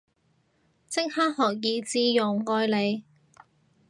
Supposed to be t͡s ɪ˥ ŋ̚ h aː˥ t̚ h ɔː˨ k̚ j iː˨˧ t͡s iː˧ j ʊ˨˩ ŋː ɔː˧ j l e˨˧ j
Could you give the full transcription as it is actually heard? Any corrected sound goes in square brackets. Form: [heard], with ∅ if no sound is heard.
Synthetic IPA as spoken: t͡s ɪ˥ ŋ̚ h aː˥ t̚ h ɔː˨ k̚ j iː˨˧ t͡s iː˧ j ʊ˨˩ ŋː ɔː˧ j l e˨˧ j